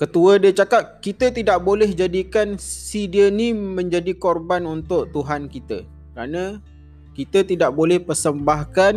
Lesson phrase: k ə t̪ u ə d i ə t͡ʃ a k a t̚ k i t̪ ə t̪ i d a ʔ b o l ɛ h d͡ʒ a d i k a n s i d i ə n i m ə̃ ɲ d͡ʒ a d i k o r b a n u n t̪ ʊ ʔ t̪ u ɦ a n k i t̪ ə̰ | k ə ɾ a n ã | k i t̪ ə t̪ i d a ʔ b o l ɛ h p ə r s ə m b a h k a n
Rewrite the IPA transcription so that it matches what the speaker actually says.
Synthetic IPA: k ə t̪ u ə d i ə t͡ʃ a k a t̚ k i t̪ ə t̪ i d a ʔ b o l ɛ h d͡ʒ a d i k a n s i d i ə n i m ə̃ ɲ d͡ʒ a d i k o r b a n u n t̪ ʊ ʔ t̪ u ɦ a n k i t̪ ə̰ | k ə ɾ a n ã | k i t̪ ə t̪ i d a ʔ b o l ɛ h p ə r s ə m b a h k a n